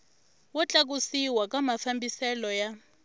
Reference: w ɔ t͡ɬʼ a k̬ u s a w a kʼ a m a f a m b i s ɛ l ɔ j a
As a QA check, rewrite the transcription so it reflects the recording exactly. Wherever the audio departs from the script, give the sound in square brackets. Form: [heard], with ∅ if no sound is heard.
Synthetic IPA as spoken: w ɔ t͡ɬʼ a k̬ u s [i] w a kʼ a m a f a m b i s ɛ l ɔ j a